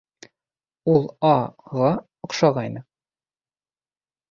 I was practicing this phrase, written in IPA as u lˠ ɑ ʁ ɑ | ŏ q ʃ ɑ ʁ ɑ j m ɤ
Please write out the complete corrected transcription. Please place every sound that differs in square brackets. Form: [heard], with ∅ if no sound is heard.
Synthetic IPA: u lˠ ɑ ʁ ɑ | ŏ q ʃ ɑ ʁ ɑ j [n] ɤ